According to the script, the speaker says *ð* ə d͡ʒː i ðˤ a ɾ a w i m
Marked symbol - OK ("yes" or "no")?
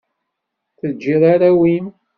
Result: no